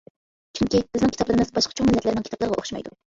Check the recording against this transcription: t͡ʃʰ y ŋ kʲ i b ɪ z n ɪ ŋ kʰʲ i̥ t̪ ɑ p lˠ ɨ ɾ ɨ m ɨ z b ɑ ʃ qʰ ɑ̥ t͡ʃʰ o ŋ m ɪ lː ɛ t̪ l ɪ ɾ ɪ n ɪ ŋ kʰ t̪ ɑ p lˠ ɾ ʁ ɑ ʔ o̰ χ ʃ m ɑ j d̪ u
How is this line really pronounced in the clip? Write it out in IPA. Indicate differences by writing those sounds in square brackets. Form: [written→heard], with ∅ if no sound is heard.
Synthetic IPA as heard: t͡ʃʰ y ŋ kʲ i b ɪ z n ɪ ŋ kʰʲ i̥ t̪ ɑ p lˠ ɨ ɾ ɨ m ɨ z b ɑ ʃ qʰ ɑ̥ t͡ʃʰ o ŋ m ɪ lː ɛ t̪ l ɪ ɾ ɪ n ɪ ŋ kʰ t̪ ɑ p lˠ ɾ ʁ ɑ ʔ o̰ χ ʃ m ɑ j d̪ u